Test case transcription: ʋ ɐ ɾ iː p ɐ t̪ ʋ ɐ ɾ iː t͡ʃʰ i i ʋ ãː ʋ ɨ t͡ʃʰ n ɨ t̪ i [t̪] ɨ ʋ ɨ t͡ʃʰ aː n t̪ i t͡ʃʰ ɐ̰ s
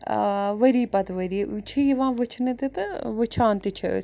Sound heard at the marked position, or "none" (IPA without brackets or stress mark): t̪